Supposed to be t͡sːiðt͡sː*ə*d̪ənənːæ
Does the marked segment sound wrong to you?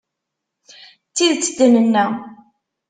no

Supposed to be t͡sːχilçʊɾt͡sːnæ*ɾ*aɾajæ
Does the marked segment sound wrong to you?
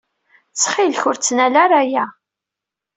yes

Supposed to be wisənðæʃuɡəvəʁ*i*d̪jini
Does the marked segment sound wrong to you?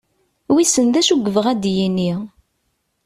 yes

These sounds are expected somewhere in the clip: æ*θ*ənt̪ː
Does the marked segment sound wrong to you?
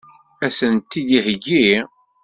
yes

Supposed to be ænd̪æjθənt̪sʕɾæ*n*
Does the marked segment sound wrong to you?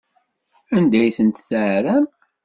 yes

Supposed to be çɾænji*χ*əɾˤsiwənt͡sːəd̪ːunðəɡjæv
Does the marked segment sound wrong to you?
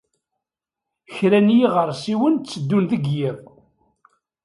yes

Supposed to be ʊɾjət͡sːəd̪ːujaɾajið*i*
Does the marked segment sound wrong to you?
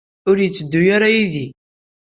no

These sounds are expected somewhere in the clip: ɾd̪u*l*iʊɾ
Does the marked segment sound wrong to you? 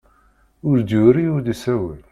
yes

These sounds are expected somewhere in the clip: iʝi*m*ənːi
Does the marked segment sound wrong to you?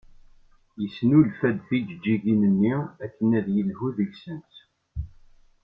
yes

